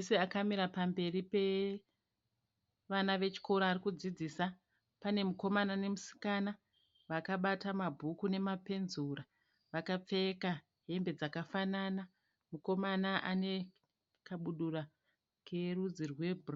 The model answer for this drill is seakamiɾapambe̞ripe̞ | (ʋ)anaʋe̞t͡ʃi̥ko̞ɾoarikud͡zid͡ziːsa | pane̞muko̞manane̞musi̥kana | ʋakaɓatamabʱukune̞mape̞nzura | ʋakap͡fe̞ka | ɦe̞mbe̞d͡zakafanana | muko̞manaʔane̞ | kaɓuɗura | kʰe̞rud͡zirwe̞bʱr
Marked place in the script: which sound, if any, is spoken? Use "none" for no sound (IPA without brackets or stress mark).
ʋ